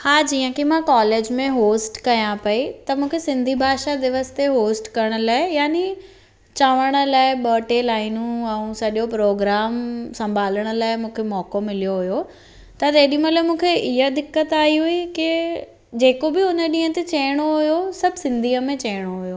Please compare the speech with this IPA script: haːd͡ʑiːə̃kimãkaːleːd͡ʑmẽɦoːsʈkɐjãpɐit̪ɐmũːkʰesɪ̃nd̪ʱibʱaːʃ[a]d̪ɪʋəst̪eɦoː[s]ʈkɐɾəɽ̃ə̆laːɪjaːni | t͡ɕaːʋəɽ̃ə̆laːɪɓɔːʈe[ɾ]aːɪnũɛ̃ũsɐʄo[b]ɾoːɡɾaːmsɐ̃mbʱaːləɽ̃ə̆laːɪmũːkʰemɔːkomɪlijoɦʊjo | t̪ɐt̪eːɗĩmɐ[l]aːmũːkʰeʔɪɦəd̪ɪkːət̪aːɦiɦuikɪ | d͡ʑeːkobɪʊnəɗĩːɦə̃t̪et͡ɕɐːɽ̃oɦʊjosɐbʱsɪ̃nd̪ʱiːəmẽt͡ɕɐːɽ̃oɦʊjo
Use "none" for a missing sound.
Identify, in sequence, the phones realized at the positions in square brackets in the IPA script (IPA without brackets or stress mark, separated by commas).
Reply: a, s, l, p, l